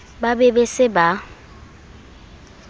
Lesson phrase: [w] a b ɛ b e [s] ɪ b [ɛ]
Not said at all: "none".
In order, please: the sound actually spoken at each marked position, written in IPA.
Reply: b, s, a

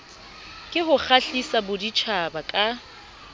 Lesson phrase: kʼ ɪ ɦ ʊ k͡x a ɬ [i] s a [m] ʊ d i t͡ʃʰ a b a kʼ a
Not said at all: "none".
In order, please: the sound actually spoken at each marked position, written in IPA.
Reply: i, b

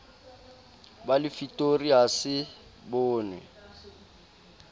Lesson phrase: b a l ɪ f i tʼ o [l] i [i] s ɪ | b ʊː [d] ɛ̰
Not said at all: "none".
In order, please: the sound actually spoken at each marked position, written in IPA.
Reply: r, a, n

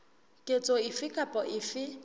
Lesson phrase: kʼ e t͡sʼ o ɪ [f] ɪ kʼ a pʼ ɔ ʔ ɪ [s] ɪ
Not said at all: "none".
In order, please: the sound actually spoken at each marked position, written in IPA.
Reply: f, f

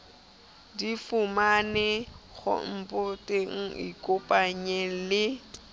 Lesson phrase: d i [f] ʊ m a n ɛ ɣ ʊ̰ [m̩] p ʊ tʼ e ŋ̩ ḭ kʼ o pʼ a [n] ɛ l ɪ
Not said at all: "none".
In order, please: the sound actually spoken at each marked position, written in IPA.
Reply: f, m̩, ɲ

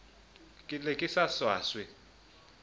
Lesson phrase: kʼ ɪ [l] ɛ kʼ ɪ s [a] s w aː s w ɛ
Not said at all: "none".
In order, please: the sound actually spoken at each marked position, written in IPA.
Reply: l, a

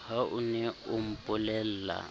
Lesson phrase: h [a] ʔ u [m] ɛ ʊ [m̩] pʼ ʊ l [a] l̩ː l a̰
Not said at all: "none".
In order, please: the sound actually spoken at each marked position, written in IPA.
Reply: a, n, m̩, ɛ

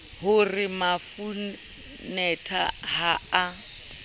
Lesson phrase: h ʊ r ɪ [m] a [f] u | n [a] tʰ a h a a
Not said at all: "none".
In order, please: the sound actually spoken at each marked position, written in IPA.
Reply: m, f, ɛ

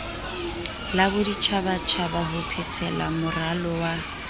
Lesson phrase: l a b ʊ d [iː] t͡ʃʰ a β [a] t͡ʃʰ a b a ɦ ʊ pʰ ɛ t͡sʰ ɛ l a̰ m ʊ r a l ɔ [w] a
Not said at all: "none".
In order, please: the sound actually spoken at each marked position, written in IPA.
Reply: i, a, w

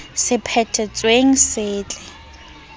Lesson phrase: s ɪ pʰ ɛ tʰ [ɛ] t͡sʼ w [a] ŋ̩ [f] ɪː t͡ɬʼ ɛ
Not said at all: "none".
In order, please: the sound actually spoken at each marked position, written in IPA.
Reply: ɛ, e, s

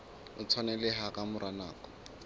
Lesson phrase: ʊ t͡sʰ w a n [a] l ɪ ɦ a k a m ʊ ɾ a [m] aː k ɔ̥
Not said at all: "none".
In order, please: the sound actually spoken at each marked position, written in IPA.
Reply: ɛ, n

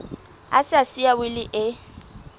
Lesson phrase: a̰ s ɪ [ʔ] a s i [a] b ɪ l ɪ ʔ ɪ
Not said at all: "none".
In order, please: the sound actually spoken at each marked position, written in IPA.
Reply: none, a

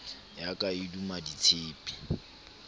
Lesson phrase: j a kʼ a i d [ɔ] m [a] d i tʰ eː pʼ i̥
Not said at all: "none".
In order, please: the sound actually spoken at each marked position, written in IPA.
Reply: u, a

